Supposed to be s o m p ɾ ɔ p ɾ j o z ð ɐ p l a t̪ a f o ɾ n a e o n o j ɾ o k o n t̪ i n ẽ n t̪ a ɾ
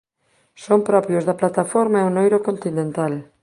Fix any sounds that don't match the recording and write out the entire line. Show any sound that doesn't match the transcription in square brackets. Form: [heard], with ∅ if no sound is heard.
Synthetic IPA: s o m p ɾ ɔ p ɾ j o z ð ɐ p l a t̪ a f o ɾ [m] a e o n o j ɾ o k o n t̪ i n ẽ n t̪ a [l]